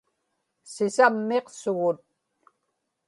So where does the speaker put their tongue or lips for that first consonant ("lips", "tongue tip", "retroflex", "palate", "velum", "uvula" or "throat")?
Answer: tongue tip